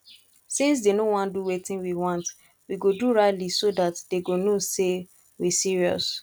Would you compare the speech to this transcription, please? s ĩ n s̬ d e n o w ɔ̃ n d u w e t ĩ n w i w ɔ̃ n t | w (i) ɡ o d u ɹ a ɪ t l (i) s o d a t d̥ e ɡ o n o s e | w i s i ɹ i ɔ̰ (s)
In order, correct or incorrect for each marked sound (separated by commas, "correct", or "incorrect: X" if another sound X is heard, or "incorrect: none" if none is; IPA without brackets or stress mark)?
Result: correct, correct, correct